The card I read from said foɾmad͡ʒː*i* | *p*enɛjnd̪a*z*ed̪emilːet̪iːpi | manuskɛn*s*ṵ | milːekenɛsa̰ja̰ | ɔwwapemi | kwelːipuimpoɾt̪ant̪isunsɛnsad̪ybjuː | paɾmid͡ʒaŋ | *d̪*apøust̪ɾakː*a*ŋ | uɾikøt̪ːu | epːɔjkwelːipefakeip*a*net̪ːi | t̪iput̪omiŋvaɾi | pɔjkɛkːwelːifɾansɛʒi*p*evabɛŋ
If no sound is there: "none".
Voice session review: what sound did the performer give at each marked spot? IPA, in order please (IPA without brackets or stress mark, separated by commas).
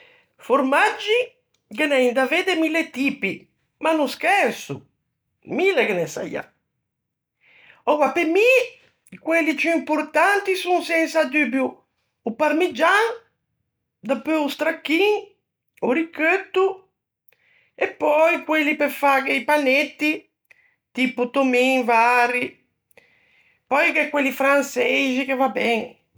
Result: i, k, v, s, d̪, i, a, k